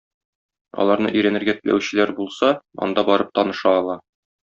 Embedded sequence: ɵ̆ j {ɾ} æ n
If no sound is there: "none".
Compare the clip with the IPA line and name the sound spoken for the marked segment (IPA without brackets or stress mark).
ɾ